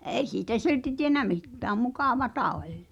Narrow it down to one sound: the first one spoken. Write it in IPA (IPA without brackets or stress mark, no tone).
e̞